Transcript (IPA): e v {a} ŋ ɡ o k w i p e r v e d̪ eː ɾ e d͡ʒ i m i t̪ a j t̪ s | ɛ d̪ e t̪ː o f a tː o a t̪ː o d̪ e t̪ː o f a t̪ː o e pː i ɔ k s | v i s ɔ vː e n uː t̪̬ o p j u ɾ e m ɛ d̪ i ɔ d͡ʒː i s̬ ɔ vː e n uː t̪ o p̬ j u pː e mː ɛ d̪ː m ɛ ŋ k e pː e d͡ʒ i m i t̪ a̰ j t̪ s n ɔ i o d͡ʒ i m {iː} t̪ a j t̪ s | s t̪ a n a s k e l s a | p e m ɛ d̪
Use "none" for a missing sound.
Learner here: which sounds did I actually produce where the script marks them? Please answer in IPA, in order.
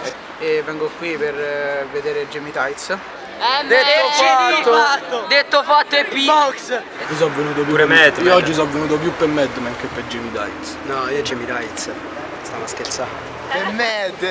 ɛ, i

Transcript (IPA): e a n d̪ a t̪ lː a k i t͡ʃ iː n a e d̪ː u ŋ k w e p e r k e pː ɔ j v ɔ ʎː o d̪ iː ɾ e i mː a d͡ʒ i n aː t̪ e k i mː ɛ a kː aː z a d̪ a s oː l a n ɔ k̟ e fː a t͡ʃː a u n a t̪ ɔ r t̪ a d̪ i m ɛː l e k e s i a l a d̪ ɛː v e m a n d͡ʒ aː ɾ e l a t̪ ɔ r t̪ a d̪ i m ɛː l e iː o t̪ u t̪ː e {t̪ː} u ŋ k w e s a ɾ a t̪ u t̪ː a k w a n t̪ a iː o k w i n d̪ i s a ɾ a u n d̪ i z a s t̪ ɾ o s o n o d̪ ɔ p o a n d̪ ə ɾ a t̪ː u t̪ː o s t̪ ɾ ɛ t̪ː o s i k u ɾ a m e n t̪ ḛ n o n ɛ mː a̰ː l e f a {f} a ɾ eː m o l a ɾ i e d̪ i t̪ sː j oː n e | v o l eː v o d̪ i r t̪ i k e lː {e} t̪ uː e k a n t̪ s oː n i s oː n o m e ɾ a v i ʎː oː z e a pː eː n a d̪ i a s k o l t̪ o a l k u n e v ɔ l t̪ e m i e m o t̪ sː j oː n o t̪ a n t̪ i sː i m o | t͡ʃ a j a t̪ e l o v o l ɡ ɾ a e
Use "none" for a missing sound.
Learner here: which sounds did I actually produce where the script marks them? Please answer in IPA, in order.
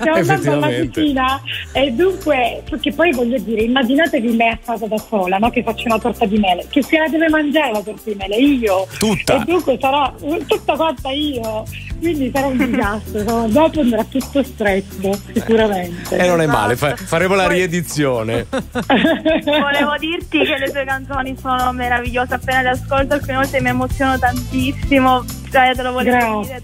d̪ː, f, e

